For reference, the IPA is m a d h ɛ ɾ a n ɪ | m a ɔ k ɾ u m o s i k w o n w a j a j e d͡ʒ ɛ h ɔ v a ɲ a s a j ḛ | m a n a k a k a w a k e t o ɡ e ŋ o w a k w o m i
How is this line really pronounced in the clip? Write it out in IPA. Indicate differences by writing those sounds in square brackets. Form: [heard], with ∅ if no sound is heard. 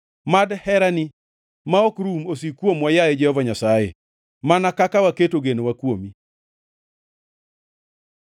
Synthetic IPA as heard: m a d h ɛ ɾ a n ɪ | m a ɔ k ɾ u m o s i k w o [m] w a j a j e d͡ʒ ɛ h ɔ v a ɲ a s a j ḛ | m a n a k a k a w a k e t o ɡ e [n] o w a k w o m i